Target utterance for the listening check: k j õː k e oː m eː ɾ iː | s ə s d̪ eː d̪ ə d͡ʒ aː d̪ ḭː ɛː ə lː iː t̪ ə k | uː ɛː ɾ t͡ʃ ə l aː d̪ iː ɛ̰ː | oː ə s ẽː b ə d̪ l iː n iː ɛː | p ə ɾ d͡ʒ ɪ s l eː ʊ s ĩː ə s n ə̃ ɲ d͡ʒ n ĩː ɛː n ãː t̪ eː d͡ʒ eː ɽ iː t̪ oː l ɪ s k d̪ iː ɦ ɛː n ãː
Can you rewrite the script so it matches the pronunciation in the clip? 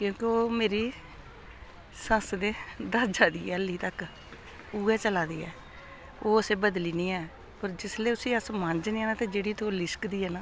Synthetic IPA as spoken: k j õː k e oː m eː ɾ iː | s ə s d̪ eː d̪ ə d͡ʒ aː d̪ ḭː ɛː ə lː iː t̪ ə k | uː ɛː t͡ʃ ə l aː d̪ iː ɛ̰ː | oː ə s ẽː b ə d̪ l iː n iː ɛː | p ə ɾ d͡ʒ ɪ s l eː ʊ s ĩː ə s m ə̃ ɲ d͡ʒ n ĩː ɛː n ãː t̪ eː d͡ʒ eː ɽ iː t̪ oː l ɪ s k d̪ iː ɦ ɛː n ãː